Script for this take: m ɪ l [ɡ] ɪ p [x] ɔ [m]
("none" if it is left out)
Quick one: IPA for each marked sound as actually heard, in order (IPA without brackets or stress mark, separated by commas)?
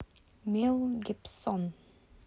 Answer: ɡ, s, n